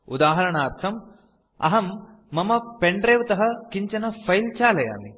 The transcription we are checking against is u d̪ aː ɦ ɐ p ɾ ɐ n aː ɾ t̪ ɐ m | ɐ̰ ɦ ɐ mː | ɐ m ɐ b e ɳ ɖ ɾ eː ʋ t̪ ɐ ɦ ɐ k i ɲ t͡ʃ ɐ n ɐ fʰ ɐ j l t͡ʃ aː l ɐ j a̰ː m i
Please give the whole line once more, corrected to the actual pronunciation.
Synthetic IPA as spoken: u d̪ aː ɦ ɐ ɾ ɐ ɳ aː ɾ t̪ʰ ɐ m | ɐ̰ ɦ ɐ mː | ɐ m ɐ p e ɳ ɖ ɾ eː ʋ t̪ ɐ ɦ ɐ k i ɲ t͡ʃ ɐ n ɐ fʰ ɐ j l t͡ʃ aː l ɐ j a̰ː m i